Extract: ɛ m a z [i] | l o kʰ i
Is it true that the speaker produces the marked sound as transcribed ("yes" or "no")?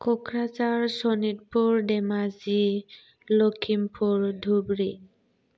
yes